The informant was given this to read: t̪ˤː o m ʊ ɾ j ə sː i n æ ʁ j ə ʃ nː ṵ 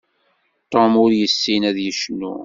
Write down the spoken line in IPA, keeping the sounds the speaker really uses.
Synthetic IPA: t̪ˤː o m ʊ ɾ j ə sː i n æ ð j ə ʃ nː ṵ